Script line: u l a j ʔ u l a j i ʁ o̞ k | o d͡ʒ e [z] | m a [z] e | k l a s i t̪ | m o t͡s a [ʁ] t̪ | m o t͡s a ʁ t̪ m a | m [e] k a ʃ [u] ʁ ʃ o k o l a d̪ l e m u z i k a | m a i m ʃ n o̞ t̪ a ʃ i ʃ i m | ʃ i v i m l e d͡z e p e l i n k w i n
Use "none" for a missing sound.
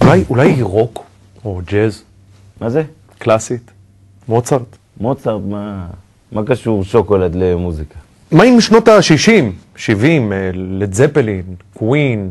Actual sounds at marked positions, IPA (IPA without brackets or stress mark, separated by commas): z, z, ʁ, a, u